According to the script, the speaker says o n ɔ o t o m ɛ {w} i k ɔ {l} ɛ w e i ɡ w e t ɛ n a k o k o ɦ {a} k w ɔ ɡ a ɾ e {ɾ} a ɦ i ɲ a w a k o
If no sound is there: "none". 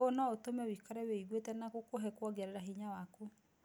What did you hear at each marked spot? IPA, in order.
w, ɾ, ɛ, ɾ

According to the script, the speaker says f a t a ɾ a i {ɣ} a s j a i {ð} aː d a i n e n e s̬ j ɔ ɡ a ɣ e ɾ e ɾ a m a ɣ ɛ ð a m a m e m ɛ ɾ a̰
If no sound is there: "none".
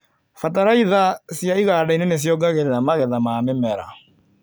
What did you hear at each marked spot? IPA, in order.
ð, ɣ

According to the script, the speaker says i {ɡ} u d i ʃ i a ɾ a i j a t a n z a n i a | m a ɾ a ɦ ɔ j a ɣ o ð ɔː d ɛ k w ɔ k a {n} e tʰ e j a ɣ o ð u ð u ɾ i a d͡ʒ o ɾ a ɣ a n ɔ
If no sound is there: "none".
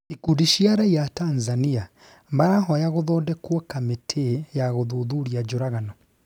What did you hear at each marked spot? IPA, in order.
k, m

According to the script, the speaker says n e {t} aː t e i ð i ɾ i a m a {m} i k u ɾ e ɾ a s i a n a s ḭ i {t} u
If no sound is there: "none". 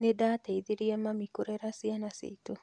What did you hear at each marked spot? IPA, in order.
d, m, t

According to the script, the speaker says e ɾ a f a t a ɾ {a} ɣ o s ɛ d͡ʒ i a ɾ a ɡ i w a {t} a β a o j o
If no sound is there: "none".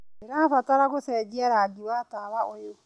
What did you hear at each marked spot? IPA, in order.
a, t

